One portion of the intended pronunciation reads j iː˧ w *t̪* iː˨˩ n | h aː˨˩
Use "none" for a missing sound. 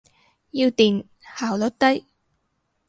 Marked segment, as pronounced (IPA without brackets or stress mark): t̪